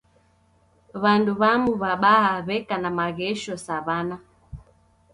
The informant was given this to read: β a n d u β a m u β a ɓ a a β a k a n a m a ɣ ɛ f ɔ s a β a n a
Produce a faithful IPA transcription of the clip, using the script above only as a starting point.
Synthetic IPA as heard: β a n d u β a m u β a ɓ a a β ɛ k a n a m a ɣ ɛ ʃ ɔ s a β a n a